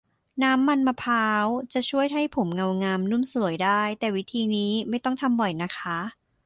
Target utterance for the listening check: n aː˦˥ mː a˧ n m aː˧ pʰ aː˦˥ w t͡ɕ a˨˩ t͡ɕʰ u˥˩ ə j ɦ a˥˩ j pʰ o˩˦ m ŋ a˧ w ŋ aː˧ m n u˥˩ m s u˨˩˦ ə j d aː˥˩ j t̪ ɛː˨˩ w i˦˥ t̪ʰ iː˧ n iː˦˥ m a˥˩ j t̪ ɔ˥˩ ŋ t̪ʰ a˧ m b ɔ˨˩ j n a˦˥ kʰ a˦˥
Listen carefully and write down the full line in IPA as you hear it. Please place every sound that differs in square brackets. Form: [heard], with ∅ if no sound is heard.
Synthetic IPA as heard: n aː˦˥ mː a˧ n m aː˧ pʰ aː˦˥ w t͡ɕ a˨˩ t͡ɕʰ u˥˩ ə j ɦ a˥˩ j pʰ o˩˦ m ŋ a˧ w ŋ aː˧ m n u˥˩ m s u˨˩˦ ə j d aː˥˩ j t̪ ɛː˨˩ w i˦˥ t̪ʰ iː˧ n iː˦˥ m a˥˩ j t̪ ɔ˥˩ ŋ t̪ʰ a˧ m b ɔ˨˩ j n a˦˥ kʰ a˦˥